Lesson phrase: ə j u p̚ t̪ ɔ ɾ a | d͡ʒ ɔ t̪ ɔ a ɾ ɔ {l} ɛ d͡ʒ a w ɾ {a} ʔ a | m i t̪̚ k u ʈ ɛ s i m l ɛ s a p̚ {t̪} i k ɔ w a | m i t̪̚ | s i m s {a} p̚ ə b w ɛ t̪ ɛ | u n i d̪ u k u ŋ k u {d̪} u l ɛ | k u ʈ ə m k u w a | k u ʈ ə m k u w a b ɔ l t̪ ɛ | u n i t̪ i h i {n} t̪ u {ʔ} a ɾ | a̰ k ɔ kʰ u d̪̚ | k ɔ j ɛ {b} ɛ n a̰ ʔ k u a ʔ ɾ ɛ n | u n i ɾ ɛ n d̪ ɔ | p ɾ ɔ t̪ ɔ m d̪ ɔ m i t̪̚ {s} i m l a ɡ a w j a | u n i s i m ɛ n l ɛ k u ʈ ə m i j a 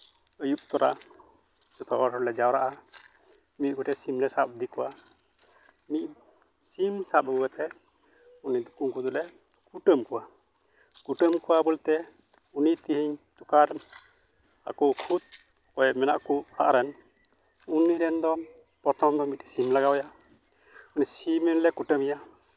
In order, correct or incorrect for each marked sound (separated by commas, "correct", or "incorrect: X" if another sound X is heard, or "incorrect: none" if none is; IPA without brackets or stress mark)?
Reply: correct, correct, incorrect: d̪, correct, correct, incorrect: ɲ, incorrect: k, incorrect: m, correct